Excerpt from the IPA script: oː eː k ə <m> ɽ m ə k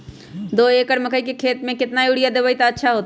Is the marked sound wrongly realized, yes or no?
yes